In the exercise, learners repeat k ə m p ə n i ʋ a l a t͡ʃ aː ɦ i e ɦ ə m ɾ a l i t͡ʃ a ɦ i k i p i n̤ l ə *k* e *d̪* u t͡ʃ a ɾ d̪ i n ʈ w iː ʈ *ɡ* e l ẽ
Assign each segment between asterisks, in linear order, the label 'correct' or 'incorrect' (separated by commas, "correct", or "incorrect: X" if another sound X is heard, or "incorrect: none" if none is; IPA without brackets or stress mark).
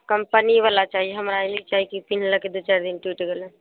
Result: correct, correct, correct